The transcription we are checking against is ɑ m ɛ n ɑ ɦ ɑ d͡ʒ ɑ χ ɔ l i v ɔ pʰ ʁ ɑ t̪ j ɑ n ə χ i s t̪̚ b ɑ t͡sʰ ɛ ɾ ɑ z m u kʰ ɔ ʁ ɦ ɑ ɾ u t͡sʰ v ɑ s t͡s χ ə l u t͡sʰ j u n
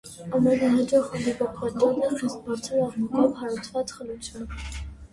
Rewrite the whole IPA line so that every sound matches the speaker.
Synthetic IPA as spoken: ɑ m ɛ n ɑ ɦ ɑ d͡ʒ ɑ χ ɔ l i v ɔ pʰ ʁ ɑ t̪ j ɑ n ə χ i s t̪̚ b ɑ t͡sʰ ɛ ɾ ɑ ʁ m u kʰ ɔ v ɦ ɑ ɾ u t͡sʰ v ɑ t͡s χ ə l u t͡sʰ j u n